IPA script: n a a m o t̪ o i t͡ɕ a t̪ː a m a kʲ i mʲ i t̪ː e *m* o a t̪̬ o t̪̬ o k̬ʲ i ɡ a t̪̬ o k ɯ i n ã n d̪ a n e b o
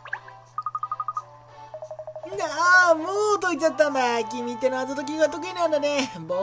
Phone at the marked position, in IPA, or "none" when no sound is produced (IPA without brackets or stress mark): n